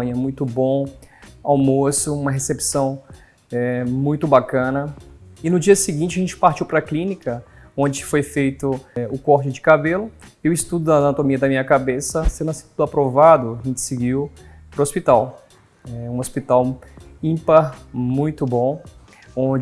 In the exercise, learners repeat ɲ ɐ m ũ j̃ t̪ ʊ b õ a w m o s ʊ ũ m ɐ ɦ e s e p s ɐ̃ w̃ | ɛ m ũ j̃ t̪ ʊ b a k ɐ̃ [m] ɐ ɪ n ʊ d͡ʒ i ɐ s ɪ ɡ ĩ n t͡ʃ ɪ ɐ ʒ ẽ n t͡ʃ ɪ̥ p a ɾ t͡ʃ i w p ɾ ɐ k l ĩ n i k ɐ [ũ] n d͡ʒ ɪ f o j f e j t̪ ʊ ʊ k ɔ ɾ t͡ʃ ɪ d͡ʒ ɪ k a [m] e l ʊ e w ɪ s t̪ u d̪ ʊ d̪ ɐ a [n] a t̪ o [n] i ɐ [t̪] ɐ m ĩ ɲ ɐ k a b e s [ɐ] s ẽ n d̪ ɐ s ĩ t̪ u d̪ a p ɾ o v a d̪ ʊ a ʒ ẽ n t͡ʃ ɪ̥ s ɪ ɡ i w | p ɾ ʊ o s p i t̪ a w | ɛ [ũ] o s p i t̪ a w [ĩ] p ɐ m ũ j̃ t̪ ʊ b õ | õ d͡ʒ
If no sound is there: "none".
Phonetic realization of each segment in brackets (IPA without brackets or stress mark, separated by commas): n, õ, b, n, m, d̪, ɐ, ũ, ĩ